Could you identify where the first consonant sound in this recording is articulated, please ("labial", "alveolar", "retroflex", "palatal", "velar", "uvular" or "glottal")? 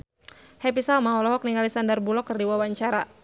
glottal